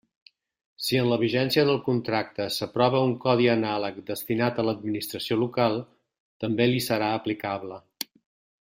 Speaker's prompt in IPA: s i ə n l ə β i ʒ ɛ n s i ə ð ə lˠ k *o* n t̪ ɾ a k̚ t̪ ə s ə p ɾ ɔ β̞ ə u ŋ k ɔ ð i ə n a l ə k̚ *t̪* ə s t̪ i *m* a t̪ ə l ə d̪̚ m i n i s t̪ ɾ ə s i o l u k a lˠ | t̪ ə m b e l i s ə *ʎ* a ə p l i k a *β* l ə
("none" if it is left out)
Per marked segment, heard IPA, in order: u, d̪, n, ɾ, β

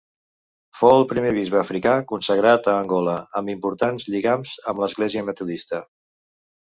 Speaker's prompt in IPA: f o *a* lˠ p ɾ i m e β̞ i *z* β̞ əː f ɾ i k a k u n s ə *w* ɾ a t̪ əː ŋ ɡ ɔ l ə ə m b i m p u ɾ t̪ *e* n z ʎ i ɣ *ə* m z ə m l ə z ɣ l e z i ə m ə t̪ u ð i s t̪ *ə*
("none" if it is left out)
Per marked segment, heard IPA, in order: ə, z, ɣ, a, a, ə

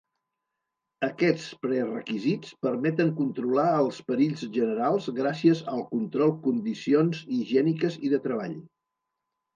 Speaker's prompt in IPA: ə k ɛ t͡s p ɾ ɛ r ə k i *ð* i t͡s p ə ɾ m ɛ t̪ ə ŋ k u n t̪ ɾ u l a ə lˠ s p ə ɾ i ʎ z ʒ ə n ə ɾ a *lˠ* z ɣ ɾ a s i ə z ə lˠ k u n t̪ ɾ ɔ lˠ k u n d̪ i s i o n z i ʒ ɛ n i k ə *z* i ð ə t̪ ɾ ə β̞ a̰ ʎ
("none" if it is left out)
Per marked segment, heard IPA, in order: z, lˠ, z

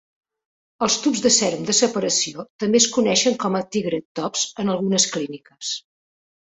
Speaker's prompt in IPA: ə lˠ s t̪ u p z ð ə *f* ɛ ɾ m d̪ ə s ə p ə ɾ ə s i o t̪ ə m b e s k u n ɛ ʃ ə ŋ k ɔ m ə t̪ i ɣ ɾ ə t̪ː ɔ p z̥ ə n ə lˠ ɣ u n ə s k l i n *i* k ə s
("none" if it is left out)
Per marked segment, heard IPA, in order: s, i

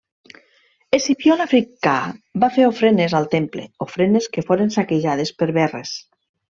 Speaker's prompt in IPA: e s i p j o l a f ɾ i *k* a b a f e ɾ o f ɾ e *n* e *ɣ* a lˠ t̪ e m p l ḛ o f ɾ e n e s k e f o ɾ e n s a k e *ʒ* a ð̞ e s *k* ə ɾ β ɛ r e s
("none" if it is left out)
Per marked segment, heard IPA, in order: k, n, z, ʒ, p

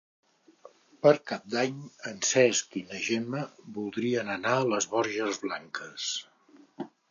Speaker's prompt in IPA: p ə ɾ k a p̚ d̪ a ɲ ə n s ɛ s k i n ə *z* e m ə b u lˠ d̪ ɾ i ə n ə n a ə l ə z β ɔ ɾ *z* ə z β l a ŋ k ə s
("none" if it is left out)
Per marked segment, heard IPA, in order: ʒ, ʒ

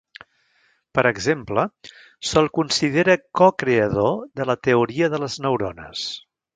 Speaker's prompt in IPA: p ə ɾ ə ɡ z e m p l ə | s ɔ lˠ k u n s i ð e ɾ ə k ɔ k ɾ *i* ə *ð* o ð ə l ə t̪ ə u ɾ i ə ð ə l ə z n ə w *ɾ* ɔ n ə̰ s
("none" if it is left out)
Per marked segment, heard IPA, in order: e, ð, ɾ

